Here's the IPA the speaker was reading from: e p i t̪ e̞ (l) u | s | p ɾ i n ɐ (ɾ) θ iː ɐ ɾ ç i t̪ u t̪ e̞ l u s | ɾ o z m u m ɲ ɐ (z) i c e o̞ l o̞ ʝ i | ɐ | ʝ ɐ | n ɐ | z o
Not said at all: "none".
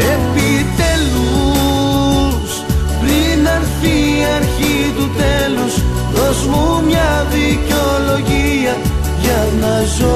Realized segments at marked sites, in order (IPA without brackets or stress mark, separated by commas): l, ɾ, ð